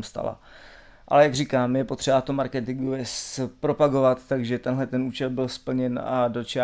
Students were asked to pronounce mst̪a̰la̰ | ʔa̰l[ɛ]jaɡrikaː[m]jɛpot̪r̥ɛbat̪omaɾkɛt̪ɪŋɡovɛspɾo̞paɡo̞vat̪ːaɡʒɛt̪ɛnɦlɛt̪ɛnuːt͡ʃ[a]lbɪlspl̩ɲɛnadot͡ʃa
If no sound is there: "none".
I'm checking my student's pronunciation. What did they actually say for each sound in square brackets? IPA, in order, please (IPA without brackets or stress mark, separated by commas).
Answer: ɛ, m, ɛ